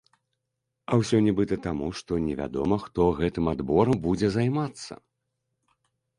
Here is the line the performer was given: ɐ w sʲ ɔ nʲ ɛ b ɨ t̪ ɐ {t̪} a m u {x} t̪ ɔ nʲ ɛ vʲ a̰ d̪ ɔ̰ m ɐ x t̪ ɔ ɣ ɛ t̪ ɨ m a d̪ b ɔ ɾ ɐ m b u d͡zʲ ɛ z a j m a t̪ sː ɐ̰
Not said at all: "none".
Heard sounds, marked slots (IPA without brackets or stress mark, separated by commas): t̪, ʂ